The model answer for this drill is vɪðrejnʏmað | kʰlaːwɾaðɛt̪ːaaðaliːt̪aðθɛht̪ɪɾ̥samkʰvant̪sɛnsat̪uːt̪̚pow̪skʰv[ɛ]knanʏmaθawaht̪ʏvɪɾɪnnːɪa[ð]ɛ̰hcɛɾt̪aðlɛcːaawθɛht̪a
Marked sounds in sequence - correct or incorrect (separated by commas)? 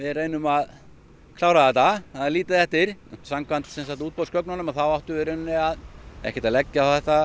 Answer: incorrect, correct